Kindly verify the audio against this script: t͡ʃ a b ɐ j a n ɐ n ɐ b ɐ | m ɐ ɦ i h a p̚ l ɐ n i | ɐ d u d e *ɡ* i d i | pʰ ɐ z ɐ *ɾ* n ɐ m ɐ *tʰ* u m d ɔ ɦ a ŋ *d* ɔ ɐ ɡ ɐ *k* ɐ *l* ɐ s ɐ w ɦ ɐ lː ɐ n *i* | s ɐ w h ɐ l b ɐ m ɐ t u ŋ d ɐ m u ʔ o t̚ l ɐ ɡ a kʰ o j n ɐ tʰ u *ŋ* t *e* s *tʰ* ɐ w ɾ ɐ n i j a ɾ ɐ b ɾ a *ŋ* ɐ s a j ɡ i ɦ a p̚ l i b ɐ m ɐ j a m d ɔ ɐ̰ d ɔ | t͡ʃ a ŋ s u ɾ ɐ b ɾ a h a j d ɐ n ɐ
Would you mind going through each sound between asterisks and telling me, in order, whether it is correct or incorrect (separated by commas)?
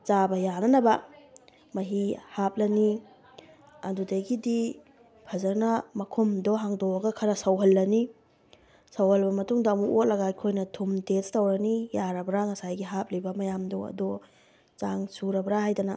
correct, correct, incorrect, correct, incorrect, incorrect, correct, incorrect, correct, incorrect, correct